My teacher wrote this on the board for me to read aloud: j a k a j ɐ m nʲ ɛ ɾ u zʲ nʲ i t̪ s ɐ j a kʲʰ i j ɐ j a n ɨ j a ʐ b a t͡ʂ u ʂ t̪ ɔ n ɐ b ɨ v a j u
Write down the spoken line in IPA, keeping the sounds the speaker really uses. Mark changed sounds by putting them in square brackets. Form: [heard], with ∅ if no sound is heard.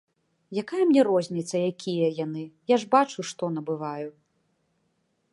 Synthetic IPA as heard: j a k a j ɐ m nʲ ɛ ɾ [ɔ] zʲ nʲ i t̪ s ɐ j a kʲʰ i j ɐ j a n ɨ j a ʐ b a t͡ʂ u ʂ t̪ ɔ n ɐ b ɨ v a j u

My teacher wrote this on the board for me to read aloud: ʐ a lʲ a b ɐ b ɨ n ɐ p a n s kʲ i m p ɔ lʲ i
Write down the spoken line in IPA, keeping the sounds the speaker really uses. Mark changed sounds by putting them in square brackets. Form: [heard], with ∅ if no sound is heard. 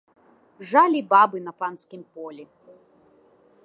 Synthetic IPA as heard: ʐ a lʲ [i] b [a] b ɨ n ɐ p a n s kʲ i m p ɔ lʲ i

